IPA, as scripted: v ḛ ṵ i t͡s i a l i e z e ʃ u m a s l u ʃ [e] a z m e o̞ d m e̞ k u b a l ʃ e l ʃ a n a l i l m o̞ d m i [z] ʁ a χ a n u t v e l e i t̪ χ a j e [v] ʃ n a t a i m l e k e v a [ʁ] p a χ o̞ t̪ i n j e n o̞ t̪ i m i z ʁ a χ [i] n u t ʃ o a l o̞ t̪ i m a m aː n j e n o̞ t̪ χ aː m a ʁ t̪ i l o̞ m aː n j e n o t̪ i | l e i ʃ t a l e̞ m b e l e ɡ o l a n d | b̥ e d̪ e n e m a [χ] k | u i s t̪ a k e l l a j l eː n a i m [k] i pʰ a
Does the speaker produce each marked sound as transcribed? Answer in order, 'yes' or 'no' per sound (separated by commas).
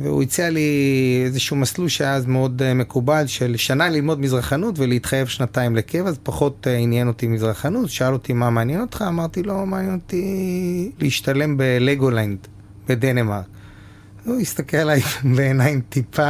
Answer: yes, yes, yes, no, no, no, no